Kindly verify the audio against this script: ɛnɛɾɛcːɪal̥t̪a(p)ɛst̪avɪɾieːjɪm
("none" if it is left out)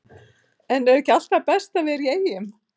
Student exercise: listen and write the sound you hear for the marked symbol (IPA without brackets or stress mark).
p